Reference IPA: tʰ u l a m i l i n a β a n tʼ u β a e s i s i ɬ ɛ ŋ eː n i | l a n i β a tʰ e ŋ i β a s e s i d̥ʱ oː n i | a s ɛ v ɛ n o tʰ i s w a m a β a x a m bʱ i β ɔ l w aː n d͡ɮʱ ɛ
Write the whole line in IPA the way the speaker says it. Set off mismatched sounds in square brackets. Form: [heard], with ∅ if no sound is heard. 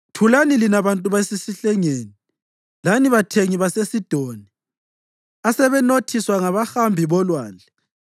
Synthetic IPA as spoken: tʰ u l a [n] i l i n a β a n tʼ u β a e s i s i ɬ ɛ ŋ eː n i | l a n i β a tʰ e ŋ i β a s e s i d̥ʱ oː n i | a s ɛ [β] ɛ n o tʰ i s w a [ŋ] a β a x a m bʱ i β ɔ l w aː n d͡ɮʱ ɛ